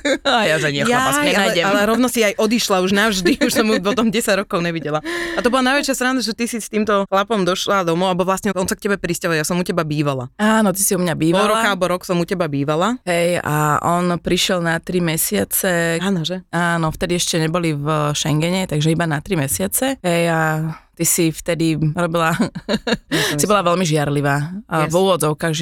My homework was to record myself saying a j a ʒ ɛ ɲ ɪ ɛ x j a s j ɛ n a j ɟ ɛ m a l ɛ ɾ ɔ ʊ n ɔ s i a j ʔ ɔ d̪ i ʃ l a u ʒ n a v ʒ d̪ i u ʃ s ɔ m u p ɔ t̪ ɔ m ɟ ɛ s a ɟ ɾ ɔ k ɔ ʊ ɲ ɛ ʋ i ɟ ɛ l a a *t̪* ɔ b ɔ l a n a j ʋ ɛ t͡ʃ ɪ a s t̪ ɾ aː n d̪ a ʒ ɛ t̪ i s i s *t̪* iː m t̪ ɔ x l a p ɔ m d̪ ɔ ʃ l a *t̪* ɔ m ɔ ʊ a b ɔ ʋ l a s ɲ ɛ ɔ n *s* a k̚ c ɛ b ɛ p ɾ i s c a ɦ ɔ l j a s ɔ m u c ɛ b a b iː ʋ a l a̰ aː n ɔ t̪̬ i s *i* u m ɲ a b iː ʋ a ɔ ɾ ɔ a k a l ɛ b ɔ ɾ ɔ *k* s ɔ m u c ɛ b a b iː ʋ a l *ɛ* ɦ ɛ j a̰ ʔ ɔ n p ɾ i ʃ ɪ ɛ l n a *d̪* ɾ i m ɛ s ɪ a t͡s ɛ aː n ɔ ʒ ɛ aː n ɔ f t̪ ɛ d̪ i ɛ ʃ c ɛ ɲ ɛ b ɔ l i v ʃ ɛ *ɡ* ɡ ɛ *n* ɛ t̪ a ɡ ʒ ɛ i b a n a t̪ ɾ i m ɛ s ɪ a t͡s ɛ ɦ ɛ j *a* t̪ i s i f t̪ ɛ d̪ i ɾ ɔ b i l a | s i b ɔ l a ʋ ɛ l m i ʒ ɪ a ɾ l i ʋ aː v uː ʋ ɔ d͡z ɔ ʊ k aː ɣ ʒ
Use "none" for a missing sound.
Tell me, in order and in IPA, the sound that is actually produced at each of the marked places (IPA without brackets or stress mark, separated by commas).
t̪, t̪, d̪, s, i, k, a, t̪, ŋ, ɲ, a